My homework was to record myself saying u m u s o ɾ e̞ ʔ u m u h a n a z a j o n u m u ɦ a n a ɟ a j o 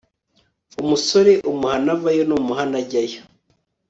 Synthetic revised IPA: u m u s o ɾ e̞ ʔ u m u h a n a v a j o n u m u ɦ a n a ɟ a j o

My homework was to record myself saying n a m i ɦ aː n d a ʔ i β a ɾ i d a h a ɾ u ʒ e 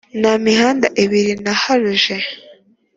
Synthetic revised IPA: n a m i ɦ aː n d a ʔ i β i ɾ i n a h a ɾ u ʒ e

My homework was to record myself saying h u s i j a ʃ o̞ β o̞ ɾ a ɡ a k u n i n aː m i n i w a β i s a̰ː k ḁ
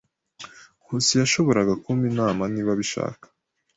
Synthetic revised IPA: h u s i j a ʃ o̞ β o̞ ɾ a ɡ a k u m i n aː m a n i β a β i ʃ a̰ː k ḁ

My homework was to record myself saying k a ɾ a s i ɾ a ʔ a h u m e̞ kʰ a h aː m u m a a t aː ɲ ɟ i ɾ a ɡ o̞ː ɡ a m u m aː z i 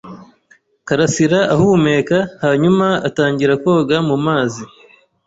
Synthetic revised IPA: k a ɾ a s i ɾ a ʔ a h u m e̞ k a h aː ɲ u m a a t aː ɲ ɟ i ɾ a k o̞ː ɡ a m u m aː z i

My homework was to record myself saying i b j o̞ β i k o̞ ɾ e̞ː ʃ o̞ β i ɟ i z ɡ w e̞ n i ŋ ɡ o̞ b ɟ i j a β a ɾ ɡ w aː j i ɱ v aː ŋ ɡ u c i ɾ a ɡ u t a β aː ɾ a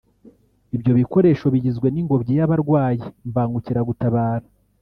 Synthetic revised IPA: i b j o̞ β i k o̞ ɾ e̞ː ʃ o̞ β i ɟ i z ɡ w e̞ n i ŋ ɡ o̞ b ɟ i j a β a ɾ ɡ w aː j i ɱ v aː ŋ ɡ u c i ɾ a ɡ u t a β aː ɾ a

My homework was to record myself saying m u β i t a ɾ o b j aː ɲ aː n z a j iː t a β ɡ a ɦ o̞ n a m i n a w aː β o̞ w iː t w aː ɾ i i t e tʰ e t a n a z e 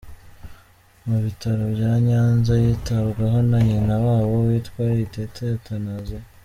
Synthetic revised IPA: m u β i t a ɾ o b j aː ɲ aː n z a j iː t a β ɡ a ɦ o̞ n a ɲ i n a w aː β o̞ w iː t w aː ɾ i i t e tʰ e t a n a z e

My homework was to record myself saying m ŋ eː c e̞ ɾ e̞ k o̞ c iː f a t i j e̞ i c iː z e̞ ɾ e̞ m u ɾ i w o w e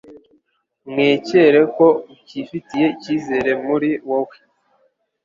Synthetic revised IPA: m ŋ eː c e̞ ɾ e̞ k o̞ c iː f i t i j e̞ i c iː z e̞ ɾ e̞ m u ɾ i w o w e

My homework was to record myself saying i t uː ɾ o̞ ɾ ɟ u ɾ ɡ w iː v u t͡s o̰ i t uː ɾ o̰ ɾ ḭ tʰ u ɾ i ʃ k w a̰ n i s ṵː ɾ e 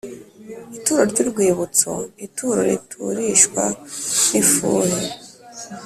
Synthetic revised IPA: i t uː ɾ o̞ ɾ ɟ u ɾ ɡ w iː β u t͡s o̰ i t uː ɾ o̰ ɾ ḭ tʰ u ɾ i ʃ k w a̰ n i f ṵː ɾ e

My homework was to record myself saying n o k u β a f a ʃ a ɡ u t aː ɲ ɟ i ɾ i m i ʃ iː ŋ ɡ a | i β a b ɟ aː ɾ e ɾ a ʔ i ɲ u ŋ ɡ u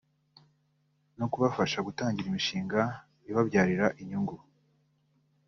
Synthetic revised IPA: n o k u β a f a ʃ a ɡ u t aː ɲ ɟ i ɾ i m i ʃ iː ŋ ɡ a | i β a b ɟ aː ɾ i ɾ a ʔ i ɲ u ŋ ɡ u

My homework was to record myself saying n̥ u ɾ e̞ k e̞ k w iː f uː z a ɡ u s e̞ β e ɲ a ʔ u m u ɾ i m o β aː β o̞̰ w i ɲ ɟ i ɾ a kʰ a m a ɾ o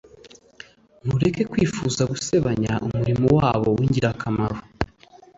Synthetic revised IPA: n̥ u ɾ e̞ k e̞ k w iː f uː z a ɡ u s e̞ β a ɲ a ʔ u m u ɾ i m o w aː β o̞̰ w i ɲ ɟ i ɾ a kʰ a m a ɾ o

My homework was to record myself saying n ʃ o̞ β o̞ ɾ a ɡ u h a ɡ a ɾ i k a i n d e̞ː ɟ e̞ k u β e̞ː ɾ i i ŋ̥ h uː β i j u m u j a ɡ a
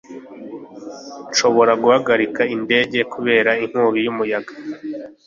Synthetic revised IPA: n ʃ o̞ β o̞ ɾ a ɡ u h a ɡ a ɾ i k a i n d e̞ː ɟ e̞ k u β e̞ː ɾ a i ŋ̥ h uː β i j u m u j a ɡ a

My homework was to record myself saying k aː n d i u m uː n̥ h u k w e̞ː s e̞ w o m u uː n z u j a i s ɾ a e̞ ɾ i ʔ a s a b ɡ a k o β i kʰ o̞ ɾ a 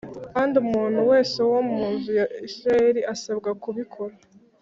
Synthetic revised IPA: k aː n d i u m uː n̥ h u w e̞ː s e̞ w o m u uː n z u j a i s ɾ a e̞ ɾ i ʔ a s a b ɡ a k u β i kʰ o̞ ɾ a

